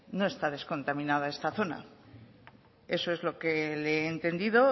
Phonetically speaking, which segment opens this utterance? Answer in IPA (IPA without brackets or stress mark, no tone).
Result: n